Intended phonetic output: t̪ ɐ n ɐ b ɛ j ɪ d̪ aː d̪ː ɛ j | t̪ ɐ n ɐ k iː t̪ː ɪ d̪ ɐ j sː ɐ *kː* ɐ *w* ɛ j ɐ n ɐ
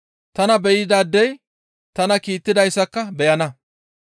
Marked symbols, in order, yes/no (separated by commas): yes, no